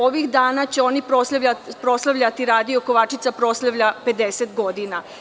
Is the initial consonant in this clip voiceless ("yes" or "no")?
no